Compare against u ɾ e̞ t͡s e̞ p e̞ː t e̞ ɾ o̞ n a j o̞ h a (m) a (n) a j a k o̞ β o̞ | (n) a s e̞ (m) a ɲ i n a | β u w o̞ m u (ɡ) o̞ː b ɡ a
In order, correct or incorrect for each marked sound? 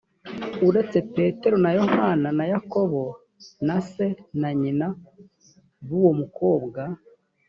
incorrect: n, correct, correct, incorrect: n, incorrect: k

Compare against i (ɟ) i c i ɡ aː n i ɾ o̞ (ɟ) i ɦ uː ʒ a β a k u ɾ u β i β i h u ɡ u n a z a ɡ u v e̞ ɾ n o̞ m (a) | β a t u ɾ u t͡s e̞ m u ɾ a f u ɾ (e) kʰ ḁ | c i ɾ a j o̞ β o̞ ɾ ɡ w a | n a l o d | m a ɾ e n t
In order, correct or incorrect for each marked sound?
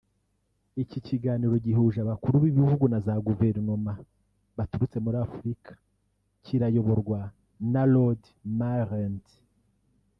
incorrect: c, correct, correct, incorrect: i

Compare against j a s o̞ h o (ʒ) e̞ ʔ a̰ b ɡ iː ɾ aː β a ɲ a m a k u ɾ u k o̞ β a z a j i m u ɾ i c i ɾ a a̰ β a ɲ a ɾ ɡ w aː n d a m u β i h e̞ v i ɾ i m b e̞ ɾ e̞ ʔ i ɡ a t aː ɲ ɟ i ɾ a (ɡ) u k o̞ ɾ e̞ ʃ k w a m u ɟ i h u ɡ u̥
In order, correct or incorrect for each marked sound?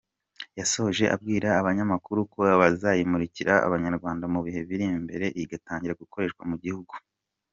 correct, correct

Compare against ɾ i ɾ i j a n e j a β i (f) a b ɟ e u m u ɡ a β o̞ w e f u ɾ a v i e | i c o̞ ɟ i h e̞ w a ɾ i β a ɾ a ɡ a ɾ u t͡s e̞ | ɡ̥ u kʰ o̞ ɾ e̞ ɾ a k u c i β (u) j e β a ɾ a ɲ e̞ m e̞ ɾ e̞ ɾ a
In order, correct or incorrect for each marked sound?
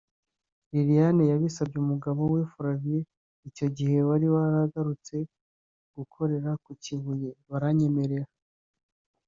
incorrect: s, correct

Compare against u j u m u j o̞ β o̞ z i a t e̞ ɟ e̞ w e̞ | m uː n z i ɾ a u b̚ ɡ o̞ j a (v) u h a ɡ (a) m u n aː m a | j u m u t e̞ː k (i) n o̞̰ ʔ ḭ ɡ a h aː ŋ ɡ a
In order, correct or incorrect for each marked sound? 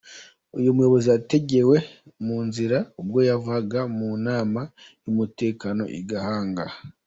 correct, correct, incorrect: a

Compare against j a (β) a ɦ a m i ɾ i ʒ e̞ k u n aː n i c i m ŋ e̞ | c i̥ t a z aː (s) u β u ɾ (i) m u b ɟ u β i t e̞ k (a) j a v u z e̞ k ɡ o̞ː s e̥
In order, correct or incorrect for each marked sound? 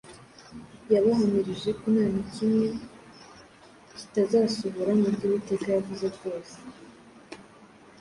correct, correct, incorrect: a, correct

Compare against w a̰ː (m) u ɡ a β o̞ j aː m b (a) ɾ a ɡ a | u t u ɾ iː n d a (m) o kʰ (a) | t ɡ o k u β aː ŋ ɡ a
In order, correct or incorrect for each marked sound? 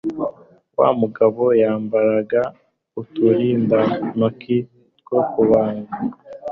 correct, correct, incorrect: n, incorrect: i

